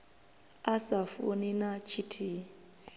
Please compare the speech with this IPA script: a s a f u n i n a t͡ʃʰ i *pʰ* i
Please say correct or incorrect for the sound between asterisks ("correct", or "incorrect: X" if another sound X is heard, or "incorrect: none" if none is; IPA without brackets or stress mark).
incorrect: tʰ